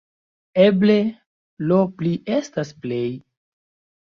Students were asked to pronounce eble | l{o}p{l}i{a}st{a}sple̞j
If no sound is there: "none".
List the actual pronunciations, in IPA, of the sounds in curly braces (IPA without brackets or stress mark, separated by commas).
o, l, e, a